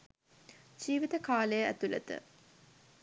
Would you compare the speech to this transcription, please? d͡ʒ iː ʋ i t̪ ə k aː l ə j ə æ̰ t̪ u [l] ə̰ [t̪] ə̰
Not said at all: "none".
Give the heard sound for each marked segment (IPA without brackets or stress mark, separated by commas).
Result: l, t̪